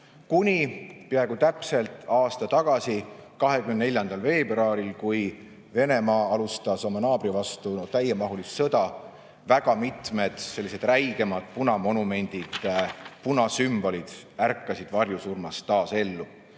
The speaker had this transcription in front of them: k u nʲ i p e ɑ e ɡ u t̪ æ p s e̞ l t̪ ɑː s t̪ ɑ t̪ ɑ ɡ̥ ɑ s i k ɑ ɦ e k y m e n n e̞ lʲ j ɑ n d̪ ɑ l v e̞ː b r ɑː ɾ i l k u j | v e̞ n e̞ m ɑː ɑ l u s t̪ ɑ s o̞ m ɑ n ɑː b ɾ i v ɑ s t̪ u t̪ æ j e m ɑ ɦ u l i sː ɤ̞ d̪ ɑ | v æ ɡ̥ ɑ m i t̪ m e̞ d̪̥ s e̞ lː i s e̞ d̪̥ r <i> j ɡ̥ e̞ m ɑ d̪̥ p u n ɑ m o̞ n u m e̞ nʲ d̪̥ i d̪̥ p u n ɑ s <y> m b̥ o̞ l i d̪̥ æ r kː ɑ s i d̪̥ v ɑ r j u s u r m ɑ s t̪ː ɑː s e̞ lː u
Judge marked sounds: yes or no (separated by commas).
no, yes